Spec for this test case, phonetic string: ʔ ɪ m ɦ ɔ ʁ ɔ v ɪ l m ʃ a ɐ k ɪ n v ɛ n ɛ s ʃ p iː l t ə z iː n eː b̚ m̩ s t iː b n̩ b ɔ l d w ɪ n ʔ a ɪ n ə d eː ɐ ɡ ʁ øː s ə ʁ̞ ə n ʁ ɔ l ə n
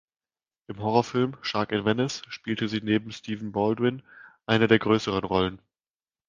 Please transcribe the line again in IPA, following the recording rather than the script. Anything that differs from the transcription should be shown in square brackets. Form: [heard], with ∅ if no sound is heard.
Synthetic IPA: ʔ ɪ m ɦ ɔ ʁ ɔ [f] ɪ l m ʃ a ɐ k ɪ n v ɛ n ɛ s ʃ p iː l t ə z iː n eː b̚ m̩ s t iː [v] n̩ b ɔ l d w ɪ n ʔ a ɪ n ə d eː ɐ ɡ ʁ øː s ə ʁ̞ ə n ʁ ɔ l ə n